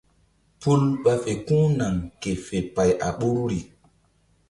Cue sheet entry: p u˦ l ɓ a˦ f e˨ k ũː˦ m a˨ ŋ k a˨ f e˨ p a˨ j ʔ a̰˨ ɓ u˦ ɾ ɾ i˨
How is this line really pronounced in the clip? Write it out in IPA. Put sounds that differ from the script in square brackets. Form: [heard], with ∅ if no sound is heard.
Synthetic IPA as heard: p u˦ l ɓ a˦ f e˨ k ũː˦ [n] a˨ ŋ k [e˨] f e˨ p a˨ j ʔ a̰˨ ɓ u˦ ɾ ɾ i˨